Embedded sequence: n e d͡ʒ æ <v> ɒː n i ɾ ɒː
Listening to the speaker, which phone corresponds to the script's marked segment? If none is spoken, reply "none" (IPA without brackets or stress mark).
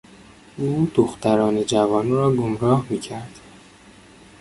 v